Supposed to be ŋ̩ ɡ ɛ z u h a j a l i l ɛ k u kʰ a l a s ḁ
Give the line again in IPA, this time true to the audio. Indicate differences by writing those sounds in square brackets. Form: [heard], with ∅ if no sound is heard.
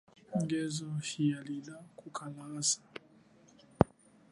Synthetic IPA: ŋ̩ ɡ ɛ z [ɔ] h [i] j a l i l [a] k u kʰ a l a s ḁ